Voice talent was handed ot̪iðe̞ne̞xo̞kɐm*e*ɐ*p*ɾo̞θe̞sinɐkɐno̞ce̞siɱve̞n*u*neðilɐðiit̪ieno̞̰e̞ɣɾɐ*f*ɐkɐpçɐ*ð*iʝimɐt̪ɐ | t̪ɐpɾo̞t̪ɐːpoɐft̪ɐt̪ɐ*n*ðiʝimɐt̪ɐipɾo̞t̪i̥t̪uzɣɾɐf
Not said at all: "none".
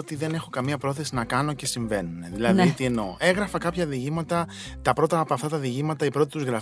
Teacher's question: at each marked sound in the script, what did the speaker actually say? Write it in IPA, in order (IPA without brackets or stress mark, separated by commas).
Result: i, p, u, f, ð, none